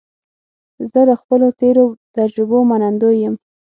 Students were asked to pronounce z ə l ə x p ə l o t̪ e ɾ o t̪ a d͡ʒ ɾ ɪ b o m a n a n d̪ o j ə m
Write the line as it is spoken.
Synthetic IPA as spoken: z ə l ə x p ə l o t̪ e ɾ o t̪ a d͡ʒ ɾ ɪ b o m a n a n d̪ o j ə m